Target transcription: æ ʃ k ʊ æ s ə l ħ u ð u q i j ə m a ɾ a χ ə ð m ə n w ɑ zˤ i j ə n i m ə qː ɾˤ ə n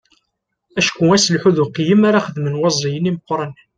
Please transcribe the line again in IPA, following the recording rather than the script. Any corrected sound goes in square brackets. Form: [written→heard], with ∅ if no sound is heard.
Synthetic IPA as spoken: æ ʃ k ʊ æ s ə l ħ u ð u q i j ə m a ɾ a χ ə ð m ə n w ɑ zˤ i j ə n i m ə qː ɾˤ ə n